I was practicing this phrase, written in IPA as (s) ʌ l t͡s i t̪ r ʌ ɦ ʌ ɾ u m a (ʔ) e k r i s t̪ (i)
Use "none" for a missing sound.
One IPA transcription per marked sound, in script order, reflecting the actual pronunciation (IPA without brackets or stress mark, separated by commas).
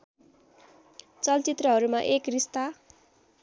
t͡s, ʔ, a